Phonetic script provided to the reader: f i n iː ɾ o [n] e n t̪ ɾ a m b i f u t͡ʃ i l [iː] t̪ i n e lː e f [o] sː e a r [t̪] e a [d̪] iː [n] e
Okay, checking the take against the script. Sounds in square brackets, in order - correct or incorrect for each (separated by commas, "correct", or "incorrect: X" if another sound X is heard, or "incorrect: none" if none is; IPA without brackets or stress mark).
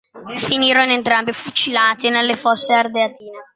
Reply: correct, incorrect: aː, incorrect: ɔ, incorrect: d̪, incorrect: t̪, correct